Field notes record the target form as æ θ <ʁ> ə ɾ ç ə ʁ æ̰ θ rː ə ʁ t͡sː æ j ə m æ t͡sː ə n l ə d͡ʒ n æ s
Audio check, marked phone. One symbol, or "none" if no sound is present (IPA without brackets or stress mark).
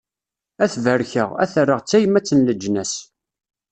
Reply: v